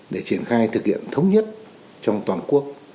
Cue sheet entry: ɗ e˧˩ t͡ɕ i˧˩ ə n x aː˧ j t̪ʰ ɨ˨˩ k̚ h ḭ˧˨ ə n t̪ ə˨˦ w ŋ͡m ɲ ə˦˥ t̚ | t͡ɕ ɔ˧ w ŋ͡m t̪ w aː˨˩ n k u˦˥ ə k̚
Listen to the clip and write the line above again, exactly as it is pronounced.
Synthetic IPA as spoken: ɗ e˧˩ t͡ɕ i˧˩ ə n x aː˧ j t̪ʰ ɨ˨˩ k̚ h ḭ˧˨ ə n t̪ʰ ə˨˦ w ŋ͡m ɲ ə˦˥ t̚ | t͡ɕ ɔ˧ w ŋ͡m t̪ w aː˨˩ n k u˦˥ ə k̚